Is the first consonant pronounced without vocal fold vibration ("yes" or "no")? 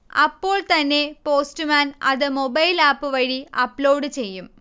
yes